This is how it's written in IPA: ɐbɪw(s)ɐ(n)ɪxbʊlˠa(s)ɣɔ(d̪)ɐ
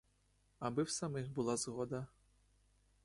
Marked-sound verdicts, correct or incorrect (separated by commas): correct, incorrect, incorrect, correct